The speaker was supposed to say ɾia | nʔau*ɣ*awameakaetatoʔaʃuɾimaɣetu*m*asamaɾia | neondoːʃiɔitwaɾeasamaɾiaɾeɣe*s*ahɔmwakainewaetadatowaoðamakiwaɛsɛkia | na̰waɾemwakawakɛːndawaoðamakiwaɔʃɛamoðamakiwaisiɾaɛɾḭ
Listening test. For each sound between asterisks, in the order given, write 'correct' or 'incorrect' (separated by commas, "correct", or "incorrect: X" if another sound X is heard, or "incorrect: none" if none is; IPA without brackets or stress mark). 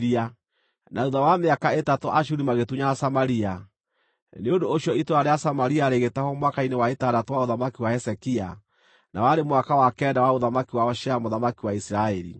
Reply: incorrect: ð, incorrect: ɲ, incorrect: t